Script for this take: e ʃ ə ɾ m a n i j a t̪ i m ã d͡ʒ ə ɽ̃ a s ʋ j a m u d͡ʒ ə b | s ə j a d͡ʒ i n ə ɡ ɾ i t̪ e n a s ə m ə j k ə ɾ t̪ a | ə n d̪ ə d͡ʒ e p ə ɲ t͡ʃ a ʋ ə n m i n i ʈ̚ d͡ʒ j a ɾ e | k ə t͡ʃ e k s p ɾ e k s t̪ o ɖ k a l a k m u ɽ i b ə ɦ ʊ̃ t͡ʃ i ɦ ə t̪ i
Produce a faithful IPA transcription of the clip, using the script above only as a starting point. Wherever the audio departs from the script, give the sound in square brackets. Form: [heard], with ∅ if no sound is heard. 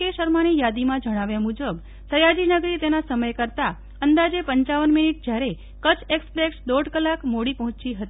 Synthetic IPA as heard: e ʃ ə ɾ m a n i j a [d̪] i m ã d͡ʒ ə ɽ̃ a [∅] ʋ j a m u d͡ʒ ə b | s ə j a d͡ʒ i n ə ɡ ɾ i t̪ e n a s ə m ə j k ə ɾ t̪ a | ə n d̪ [a] d͡ʒ e p ə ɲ t͡ʃ a ʋ ə n m i n i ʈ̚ d͡ʒ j a ɾ e | k ə t͡ʃ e k s p ɾ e k s [d̪] o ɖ k [ə] l a k m [o] ɽ i [p] ə ɦ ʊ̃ t͡ʃ i ɦ ə t̪ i